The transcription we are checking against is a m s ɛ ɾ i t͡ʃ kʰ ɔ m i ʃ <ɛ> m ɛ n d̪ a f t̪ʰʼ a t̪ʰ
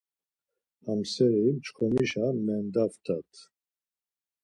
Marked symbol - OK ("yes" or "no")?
no